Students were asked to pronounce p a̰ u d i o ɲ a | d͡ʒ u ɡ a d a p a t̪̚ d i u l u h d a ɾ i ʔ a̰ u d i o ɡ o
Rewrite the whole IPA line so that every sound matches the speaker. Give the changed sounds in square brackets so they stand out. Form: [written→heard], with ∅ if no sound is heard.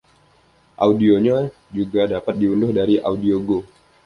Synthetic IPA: [p→ʔ] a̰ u d i o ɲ a | d͡ʒ u ɡ a d a p a t̪̚ d i u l [u→ʊ] h d a ɾ i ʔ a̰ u d i o ɡ o